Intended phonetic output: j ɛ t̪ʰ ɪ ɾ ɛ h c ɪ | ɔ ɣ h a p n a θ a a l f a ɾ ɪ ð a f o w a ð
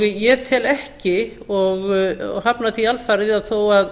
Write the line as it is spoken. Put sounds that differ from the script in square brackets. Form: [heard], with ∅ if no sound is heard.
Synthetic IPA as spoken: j ɛ t̪ʰ ɪ [l] ɛ h c ɪ | ɔ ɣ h a p n a θ [i] a l f a ɾ ɪ ð a [θ] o w a ð